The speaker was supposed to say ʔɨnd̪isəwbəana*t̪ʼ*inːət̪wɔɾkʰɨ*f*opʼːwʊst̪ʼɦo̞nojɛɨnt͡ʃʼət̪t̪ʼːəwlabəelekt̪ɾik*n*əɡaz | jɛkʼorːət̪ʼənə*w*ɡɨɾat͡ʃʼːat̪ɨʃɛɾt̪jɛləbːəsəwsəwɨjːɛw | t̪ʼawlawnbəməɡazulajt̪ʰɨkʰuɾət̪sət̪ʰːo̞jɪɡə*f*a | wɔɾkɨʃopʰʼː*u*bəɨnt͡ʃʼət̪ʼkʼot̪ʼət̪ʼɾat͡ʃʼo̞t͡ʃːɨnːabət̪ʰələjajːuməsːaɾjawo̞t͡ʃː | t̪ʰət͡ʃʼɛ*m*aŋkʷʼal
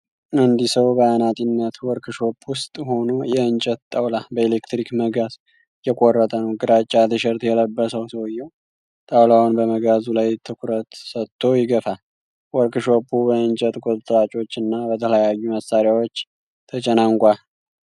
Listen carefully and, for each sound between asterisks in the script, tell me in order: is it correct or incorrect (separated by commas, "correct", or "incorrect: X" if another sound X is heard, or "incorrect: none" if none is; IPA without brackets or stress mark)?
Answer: correct, incorrect: ʃ, incorrect: m, correct, correct, correct, incorrect: n